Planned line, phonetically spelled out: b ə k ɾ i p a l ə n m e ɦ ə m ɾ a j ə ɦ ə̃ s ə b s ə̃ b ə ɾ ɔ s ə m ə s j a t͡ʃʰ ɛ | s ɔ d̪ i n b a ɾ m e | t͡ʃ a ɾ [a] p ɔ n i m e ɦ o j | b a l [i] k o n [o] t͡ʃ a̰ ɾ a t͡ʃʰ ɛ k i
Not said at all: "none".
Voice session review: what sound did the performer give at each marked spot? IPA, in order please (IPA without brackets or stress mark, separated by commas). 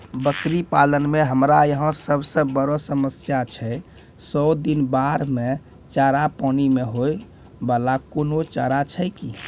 a, a, o